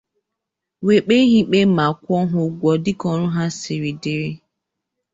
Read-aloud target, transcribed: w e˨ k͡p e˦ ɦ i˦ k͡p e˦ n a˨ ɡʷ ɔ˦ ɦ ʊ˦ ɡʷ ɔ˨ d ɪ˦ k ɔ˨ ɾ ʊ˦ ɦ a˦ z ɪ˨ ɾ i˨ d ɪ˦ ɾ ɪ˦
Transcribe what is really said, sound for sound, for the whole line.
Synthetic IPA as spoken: w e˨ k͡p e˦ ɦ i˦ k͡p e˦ m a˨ kʷ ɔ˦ ɦ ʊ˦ ɡʷ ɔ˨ d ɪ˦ k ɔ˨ ɾ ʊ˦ ɦ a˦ s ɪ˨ ɾ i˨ d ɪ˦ ɾ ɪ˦

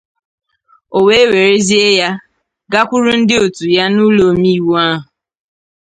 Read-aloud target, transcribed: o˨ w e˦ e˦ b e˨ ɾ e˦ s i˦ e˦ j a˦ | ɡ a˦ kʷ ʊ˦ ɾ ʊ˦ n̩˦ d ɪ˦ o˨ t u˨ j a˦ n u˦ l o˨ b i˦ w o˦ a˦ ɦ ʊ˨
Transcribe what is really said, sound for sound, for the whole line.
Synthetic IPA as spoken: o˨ w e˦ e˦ w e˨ ɾ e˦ z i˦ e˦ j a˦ | ɡ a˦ kʷ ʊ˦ ɾ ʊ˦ n̩˦ d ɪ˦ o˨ t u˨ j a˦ n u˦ l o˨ m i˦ w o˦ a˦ ɦ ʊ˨

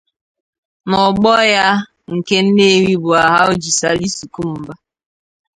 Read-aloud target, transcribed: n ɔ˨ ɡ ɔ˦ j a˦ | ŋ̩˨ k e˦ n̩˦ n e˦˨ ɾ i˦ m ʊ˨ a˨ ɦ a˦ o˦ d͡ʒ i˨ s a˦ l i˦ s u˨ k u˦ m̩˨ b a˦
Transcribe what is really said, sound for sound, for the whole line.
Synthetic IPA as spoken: n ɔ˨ ɡ͡b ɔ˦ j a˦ | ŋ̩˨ k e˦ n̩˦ n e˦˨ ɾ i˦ b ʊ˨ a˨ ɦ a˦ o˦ d͡ʒ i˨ s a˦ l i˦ s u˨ k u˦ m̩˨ b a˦

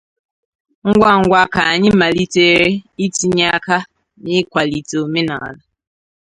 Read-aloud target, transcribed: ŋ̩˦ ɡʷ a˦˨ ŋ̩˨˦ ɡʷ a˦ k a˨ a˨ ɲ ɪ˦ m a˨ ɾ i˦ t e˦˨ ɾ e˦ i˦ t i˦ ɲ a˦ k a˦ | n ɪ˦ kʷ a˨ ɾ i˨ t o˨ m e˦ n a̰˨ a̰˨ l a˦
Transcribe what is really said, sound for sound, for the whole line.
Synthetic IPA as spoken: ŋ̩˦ ɡʷ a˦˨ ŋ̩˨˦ ɡʷ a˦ k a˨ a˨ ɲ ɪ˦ m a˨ l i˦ t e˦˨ ɾ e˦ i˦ t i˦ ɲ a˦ k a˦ | n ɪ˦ kʷ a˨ l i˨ t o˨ m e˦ n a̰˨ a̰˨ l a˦

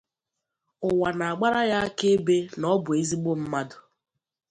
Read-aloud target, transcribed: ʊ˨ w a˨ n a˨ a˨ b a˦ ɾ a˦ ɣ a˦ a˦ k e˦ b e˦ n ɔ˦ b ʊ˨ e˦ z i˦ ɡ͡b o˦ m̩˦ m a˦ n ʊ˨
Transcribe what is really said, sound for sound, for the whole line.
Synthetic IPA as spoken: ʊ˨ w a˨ n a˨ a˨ ɡ͡b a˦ ɾ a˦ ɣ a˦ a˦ k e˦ b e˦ n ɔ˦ b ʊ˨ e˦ z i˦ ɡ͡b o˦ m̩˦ m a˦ d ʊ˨

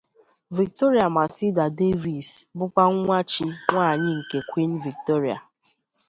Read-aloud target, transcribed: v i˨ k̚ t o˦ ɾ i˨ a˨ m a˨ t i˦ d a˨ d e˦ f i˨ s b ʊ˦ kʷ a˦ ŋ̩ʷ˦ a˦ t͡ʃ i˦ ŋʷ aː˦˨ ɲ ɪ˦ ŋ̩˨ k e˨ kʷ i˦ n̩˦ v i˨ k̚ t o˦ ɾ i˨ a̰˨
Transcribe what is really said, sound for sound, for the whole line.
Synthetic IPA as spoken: v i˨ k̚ t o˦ ɾ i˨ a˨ m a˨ t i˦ d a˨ d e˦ v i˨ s b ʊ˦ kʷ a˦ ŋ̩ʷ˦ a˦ t͡ʃ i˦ ŋʷ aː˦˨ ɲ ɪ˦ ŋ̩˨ k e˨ kʷ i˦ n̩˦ v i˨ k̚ t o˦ ɾ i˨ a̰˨

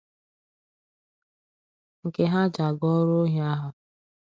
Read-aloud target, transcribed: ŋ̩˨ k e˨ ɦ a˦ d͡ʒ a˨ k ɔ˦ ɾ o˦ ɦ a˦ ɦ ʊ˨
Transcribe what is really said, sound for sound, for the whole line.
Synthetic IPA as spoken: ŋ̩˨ k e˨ ɦ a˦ d͡ʒ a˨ ɡ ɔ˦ ɾ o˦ ɦ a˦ ɦ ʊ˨

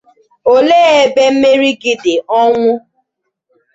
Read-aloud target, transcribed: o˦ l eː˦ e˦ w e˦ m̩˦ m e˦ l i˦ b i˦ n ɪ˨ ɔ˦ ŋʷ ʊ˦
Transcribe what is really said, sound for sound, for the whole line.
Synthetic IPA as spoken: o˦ l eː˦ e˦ b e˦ m̩˦ m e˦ ɾ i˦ ɡ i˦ d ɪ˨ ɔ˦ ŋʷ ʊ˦

